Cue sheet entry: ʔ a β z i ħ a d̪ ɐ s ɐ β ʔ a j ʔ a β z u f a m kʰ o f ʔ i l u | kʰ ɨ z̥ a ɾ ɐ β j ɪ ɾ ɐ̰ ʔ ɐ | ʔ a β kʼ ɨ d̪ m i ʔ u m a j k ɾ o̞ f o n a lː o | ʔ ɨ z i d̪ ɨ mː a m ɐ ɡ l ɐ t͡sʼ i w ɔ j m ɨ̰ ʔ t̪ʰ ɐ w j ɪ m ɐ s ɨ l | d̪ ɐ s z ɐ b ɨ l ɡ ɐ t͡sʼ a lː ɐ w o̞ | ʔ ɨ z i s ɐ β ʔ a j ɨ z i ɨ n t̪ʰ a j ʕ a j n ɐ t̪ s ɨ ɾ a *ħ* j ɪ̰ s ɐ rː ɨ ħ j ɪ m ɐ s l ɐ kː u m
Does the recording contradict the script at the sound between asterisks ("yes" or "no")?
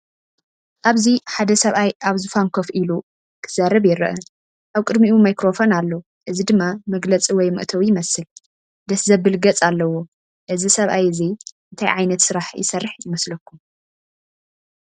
no